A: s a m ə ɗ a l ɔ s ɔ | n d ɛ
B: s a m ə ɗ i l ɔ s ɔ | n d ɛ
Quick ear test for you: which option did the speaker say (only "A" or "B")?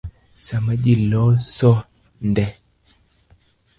B